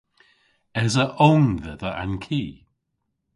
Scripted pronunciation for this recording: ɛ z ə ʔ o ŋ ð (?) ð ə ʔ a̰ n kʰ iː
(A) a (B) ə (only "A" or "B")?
B